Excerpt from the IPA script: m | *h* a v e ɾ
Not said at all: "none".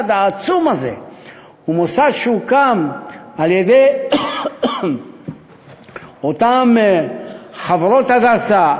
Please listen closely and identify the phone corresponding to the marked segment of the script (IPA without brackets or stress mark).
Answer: χ